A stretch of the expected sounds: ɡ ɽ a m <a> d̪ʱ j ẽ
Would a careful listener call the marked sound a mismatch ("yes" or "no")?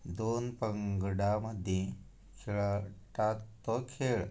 yes